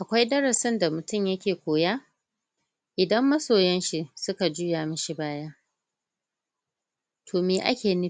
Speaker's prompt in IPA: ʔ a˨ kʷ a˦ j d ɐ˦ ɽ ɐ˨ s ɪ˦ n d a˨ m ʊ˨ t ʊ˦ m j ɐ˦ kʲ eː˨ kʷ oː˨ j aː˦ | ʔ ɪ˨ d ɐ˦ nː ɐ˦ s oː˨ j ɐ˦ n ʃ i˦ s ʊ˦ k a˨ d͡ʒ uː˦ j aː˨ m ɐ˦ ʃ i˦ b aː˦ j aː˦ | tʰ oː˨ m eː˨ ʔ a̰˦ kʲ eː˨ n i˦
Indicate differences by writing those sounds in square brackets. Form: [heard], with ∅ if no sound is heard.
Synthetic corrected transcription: ʔ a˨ kʷ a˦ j d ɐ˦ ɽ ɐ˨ s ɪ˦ n d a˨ m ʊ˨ t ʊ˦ m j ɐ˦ kʲ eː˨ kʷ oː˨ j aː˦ | ʔ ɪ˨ d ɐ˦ [mː] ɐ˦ s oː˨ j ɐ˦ n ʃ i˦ s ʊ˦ k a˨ d͡ʒ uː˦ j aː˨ m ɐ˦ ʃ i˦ b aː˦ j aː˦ | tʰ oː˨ m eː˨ ʔ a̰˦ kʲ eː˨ n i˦